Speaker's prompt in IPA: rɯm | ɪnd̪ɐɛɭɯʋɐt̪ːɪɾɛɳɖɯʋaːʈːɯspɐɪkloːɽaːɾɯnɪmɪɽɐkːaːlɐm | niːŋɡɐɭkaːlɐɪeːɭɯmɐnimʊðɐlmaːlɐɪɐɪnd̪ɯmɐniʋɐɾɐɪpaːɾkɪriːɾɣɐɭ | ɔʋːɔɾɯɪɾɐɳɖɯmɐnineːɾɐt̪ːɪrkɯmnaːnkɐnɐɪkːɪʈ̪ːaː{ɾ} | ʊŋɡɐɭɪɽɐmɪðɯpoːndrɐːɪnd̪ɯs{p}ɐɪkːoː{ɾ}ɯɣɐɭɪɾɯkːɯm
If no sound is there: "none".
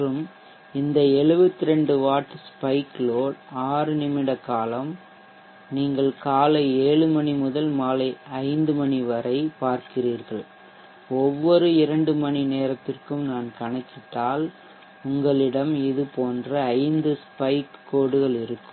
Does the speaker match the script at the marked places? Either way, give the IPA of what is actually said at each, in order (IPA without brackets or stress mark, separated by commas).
l, p, ɽ